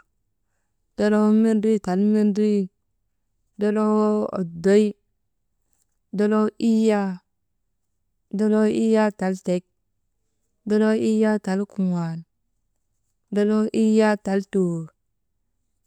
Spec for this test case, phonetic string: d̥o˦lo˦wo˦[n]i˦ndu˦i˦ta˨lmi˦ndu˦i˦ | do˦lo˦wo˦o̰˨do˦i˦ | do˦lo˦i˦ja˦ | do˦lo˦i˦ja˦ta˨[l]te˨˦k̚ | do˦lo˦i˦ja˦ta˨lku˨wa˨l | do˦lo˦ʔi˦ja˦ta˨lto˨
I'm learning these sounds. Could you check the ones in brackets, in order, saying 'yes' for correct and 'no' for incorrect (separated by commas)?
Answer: no, yes